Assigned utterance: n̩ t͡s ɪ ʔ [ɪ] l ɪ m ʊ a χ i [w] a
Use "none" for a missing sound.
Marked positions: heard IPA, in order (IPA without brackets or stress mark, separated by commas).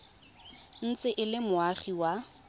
ɪ, w